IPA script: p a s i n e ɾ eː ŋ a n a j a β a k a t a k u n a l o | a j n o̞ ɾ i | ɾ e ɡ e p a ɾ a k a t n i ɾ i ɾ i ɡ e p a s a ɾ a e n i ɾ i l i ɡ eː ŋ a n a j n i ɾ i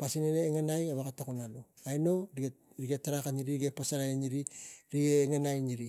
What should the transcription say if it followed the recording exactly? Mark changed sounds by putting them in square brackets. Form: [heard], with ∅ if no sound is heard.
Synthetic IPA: p a s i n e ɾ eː ŋ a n a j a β a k a t a k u n a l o | a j n o̞ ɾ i | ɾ [i] ɡ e [t] a ɾ a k a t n i ɾ i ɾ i ɡ e p a s a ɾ a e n i ɾ i [ɾ] i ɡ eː ŋ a n a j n i ɾ i